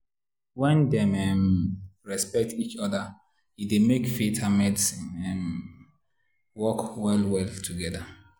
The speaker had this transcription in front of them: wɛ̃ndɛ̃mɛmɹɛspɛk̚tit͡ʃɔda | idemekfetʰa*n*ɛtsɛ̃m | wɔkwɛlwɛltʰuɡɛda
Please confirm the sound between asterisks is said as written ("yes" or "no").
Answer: no